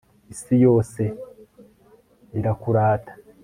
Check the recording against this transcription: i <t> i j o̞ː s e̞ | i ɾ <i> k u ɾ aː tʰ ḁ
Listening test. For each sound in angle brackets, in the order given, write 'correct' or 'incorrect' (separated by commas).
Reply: incorrect, incorrect